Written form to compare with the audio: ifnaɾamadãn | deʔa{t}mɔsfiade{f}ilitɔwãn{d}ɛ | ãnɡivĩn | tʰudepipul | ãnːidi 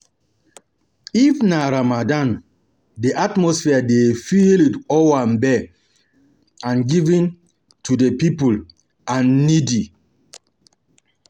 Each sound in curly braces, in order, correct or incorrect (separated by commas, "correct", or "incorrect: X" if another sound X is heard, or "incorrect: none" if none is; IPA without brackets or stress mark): correct, correct, incorrect: b